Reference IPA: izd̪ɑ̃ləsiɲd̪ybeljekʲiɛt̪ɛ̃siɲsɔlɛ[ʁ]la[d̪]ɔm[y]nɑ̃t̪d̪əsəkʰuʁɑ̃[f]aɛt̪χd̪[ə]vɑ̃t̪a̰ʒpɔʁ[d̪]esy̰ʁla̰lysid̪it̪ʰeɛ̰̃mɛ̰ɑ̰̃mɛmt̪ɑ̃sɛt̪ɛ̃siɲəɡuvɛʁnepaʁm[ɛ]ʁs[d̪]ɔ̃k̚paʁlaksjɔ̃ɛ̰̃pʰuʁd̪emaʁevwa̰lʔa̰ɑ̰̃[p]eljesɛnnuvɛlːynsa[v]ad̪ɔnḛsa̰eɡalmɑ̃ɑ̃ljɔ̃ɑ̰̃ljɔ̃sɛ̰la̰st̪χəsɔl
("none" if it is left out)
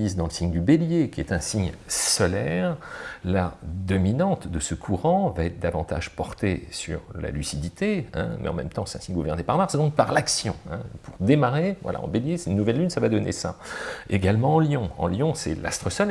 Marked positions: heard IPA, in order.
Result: ʁ, d̪, i, v, a, t̪, a, d̪, b, v

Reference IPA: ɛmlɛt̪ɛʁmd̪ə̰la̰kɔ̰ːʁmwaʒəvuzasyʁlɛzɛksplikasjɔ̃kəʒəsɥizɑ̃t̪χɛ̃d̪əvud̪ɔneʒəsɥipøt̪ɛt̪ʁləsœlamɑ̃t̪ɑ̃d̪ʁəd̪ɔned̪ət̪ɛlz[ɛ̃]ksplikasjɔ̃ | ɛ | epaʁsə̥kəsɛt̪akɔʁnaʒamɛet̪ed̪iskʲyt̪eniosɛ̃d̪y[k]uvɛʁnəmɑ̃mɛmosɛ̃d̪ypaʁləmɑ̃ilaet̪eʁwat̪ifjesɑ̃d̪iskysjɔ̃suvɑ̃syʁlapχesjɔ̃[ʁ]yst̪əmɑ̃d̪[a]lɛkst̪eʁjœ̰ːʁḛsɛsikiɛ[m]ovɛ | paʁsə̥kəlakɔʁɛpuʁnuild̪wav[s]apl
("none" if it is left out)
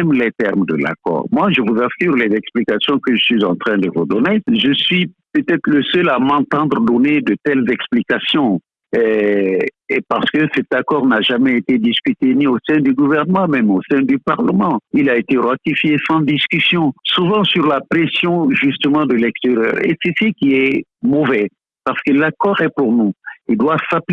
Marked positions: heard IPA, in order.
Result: ɛ, ɡ, ʒ, ə, m, s

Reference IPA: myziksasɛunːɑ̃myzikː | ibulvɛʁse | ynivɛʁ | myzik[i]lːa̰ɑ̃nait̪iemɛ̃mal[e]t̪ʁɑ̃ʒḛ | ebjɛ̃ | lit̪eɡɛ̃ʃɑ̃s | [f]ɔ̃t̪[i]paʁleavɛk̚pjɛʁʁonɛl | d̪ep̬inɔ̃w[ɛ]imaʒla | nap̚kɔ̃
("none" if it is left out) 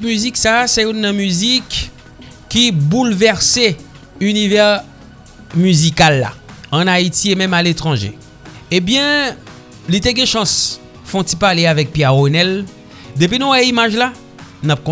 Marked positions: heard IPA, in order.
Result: a, e, f, i, ɛ

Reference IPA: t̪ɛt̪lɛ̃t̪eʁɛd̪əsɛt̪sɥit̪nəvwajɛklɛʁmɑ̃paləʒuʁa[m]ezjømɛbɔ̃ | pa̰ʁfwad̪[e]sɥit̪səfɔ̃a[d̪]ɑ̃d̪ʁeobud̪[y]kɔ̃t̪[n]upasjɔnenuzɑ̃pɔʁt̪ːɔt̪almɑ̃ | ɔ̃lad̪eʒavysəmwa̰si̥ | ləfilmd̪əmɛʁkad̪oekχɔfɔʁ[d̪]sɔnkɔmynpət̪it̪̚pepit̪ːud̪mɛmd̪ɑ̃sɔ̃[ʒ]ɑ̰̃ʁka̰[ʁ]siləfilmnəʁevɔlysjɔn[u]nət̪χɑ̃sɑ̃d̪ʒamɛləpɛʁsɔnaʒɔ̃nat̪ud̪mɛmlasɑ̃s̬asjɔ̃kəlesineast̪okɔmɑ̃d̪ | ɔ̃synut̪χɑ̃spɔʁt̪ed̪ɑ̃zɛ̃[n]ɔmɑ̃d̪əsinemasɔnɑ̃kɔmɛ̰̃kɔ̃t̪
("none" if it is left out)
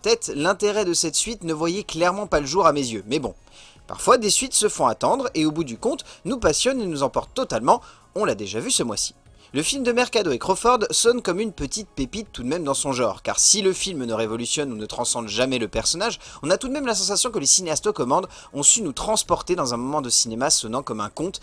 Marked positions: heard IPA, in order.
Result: m, e, t̪, y, n, d̪, ʒ, ʁ, u, m

